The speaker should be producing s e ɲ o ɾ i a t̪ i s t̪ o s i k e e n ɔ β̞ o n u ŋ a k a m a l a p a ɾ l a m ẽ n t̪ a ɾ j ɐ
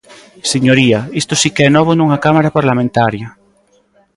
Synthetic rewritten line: s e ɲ o ɾ i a i s t̪ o s i k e ɛ n ɔ β̞ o n u ŋ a k a m a ɾ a p a ɾ l a m ẽ n t̪ a ɾ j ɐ